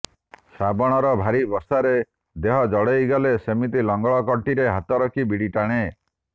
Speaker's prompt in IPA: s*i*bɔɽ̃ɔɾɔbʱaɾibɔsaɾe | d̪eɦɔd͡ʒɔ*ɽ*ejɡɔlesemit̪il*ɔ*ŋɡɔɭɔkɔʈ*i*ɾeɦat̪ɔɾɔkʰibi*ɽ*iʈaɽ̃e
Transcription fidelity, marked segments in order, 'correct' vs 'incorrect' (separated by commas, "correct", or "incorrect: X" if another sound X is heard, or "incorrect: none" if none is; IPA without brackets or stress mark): incorrect: a, correct, correct, correct, correct